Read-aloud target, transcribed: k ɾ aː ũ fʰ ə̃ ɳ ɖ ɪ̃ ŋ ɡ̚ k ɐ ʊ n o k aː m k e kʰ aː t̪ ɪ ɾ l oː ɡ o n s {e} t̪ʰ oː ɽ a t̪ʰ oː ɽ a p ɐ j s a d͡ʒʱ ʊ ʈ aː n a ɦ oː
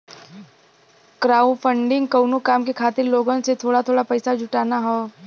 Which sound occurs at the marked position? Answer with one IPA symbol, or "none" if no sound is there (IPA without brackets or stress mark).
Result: e